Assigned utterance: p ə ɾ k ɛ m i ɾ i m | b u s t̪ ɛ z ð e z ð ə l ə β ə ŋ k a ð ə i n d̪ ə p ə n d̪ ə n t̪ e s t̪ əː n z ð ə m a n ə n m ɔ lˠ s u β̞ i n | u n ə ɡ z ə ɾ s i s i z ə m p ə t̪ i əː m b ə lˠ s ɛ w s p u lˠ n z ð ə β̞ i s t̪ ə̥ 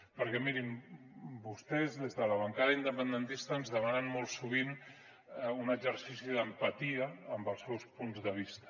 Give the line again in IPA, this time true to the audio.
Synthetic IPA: p ə ɾ k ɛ m i ɾ i m | b u s t̪ ɛ z ð e z ð ə l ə β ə ŋ k a ð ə i n d̪ ə p ə n d̪ ə n t̪ i s t̪ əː n z ð ə m a n ə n m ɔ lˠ s u β̞ i n | u n ə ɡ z ə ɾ s i s i ð ə m p ə t̪ i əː m b ə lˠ s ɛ w s p u n z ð ə β̞ i s t̪ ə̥